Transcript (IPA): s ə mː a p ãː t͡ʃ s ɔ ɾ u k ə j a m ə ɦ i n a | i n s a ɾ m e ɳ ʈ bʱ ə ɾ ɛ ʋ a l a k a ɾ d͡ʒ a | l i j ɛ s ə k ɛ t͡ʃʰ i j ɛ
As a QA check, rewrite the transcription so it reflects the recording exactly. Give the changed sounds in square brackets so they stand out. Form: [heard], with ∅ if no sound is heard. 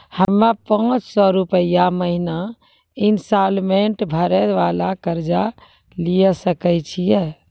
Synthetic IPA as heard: [h] ə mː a p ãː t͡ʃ s ɔ ɾ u [p] ə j a m ə ɦ i n a | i n s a [l] m e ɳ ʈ bʱ ə ɾ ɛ ʋ a l a k [ə] ɾ d͡ʒ a | l i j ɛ s ə k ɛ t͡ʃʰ i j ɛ